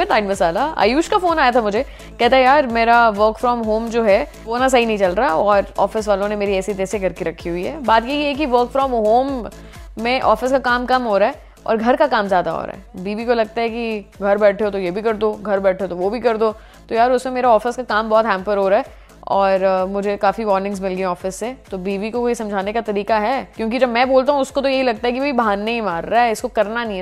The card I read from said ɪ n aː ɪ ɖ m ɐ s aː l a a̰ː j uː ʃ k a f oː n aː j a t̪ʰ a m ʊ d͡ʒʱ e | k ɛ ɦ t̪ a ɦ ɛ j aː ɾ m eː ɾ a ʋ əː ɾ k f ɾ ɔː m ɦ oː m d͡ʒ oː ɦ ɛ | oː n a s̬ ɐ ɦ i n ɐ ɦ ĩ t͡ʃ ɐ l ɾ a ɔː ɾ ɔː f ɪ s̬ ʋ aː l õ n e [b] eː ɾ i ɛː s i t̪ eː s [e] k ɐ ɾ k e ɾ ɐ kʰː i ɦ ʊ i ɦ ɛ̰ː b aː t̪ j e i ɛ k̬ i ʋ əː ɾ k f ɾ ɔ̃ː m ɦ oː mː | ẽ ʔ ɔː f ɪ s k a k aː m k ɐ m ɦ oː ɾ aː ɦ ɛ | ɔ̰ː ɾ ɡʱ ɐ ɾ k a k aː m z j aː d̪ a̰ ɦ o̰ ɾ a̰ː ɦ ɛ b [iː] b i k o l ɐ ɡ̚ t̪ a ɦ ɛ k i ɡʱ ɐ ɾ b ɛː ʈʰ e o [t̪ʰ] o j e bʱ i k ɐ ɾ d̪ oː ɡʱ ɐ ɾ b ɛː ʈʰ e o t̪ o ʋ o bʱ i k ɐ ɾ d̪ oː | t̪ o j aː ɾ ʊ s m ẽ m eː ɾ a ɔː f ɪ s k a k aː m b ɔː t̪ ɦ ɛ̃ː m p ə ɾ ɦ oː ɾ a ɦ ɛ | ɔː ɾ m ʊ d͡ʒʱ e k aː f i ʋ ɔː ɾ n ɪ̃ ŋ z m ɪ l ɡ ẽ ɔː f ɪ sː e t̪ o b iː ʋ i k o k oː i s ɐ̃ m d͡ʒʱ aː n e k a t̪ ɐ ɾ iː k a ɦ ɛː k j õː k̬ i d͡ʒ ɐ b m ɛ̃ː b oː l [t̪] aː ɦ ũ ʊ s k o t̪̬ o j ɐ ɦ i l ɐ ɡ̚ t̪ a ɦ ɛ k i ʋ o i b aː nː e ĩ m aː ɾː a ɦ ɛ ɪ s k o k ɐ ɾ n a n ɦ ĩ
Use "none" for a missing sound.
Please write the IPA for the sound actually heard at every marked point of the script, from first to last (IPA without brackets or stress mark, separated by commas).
m, e, iː, t̪, t̪